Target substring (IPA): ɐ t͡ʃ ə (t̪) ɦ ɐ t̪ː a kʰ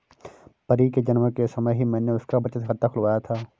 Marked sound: correct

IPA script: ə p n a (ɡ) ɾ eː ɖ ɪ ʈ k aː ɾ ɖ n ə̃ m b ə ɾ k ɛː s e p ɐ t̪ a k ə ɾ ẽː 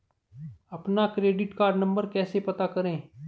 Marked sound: incorrect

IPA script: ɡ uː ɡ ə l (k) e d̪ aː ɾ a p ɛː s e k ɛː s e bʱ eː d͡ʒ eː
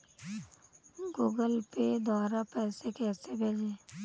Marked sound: incorrect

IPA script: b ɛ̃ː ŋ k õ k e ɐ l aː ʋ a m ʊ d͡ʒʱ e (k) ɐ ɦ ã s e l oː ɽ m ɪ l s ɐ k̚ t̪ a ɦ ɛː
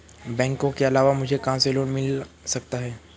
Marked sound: correct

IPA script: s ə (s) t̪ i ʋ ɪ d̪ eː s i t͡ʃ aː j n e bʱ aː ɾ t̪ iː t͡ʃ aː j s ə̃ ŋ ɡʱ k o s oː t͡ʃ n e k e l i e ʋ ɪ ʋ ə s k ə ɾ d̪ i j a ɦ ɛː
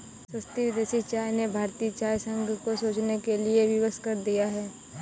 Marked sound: correct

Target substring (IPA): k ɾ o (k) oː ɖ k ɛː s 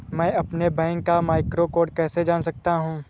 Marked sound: correct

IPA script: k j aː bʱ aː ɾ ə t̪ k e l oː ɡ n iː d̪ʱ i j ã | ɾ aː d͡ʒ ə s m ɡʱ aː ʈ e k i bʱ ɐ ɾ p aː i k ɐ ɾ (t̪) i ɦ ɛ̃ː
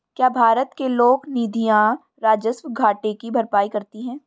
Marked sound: correct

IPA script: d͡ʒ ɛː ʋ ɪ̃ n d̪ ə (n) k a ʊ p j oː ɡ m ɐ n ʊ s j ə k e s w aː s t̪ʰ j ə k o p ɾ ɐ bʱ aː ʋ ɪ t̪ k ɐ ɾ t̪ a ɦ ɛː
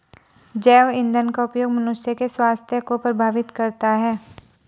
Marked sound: correct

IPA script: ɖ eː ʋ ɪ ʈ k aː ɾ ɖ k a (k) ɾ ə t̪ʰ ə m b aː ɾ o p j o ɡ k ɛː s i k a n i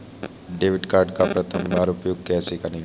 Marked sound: incorrect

